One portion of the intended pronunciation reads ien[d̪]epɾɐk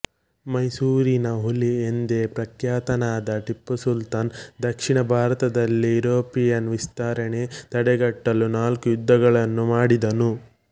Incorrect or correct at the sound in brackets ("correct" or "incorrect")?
correct